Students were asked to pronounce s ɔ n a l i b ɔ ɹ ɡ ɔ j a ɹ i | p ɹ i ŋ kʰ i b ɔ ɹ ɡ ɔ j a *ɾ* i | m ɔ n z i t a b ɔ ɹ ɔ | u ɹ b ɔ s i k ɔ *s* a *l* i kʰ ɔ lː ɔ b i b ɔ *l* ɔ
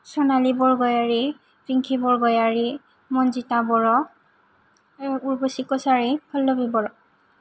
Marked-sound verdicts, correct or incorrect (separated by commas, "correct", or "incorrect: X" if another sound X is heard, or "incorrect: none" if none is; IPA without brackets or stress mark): incorrect: ɹ, correct, incorrect: ɹ, incorrect: ɹ